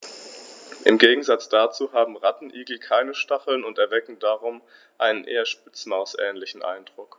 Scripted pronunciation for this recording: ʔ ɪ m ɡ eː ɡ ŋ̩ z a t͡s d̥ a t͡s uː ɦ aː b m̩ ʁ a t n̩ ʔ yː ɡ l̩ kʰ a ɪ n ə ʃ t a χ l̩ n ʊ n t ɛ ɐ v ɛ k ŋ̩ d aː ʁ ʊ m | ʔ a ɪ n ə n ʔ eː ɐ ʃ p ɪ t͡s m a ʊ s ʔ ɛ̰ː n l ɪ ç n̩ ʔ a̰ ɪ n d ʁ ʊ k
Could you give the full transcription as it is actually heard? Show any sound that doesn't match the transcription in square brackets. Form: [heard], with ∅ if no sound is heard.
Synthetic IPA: ʔ ɪ m ɡ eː ɡ ŋ̩ z a t͡s d̥ a t͡s uː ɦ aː b m̩ ʁ a t n̩ ʔ [iː] ɡ l̩ kʰ a ɪ n ə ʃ t a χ l̩ n ʊ n t ɛ ɐ v ɛ k ŋ̩ d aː ʁ ʊ m | ʔ a ɪ n ə n ʔ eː ɐ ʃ p ɪ t͡s m a ʊ s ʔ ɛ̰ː n l ɪ ç n̩ ʔ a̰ ɪ n d ʁ ʊ k